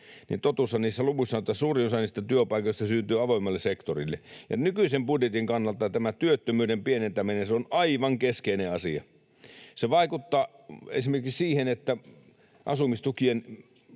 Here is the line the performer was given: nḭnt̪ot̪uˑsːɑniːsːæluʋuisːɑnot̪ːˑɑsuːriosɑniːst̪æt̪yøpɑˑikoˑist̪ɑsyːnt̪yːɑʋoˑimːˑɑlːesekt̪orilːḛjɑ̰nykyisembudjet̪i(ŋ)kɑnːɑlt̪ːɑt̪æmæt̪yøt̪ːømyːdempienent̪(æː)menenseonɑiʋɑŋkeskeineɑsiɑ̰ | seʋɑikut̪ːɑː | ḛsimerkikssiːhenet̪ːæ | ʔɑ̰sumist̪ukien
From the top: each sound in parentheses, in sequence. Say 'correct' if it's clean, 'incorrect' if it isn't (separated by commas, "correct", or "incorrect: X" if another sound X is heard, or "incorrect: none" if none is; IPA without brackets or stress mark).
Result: correct, incorrect: æ